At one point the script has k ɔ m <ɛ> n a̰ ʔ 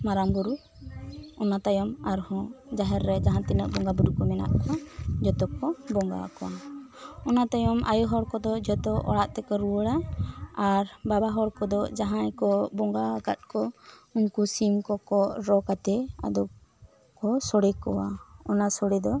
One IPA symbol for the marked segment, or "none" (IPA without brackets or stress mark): ɛ